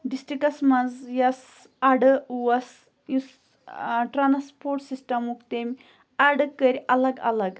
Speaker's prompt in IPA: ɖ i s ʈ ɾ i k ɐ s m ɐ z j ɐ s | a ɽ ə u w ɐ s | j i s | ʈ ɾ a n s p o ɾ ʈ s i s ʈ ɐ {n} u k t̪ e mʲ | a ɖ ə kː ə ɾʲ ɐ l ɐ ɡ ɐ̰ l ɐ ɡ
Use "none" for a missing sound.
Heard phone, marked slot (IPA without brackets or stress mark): m